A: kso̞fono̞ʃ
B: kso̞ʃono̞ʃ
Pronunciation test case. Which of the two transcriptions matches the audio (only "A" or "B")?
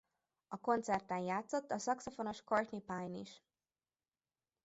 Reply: A